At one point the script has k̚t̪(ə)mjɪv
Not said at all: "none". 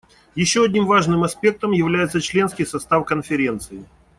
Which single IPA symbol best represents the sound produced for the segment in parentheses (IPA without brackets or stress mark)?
ə